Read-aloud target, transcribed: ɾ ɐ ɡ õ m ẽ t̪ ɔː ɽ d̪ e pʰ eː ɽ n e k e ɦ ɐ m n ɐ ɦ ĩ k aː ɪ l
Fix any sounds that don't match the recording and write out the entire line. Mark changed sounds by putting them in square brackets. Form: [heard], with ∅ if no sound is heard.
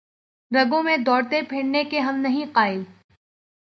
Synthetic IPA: ɾ ɐ ɡ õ m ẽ [d̪] ɔː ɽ [t̪] e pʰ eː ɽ n e k e ɦ ɐ m n ɐ ɦ ĩ [q] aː ɪ l